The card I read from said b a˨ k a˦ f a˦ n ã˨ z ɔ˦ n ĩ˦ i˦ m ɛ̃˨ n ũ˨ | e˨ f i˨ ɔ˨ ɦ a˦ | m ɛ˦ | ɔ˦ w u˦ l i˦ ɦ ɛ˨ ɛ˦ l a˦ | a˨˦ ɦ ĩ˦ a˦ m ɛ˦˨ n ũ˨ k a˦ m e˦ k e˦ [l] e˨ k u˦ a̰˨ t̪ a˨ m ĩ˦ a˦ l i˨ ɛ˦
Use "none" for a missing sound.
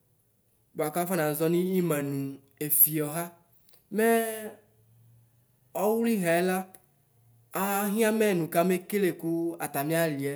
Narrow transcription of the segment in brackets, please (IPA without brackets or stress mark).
l